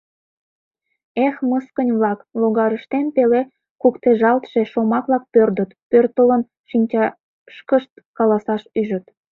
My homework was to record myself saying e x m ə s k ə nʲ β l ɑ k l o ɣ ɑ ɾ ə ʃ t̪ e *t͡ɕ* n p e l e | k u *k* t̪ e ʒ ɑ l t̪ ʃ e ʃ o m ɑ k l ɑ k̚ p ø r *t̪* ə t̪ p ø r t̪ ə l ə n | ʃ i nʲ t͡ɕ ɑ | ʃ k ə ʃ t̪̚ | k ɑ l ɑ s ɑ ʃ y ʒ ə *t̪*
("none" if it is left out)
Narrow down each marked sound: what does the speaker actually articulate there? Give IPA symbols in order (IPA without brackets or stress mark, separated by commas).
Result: none, k, d̪, t̪